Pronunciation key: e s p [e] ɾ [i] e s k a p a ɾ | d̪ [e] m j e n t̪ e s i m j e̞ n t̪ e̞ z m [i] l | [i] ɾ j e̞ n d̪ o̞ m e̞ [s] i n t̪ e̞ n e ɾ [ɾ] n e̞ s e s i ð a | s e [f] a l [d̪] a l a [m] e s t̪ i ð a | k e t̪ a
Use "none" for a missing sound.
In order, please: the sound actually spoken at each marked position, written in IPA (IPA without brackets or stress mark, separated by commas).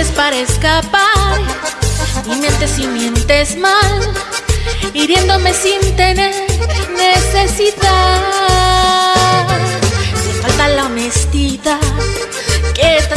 a, a, i, a, i, s, ɾ, f, t̪, m